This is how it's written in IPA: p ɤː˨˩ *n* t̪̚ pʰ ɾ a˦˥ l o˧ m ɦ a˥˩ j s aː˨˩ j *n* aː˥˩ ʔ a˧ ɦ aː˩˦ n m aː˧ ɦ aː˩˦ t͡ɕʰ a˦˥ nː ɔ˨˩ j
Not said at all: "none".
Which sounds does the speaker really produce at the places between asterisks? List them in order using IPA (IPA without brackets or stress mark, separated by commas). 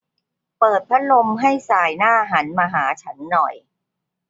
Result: none, n